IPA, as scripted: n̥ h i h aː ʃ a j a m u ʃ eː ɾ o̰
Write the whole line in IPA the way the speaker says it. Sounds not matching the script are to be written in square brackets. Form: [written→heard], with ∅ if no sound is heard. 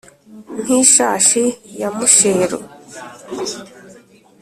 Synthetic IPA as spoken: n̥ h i [h→ʃ] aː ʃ [a→i] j a m u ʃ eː ɾ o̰